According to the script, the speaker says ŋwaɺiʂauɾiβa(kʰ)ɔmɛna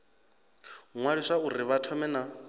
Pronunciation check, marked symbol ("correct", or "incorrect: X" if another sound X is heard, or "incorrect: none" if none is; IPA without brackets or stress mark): incorrect: tʰ